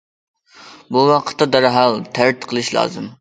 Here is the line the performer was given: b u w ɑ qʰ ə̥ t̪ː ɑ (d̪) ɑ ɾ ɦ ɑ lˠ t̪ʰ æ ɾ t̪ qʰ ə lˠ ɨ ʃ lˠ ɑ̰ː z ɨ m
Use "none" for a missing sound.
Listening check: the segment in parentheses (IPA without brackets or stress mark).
d̪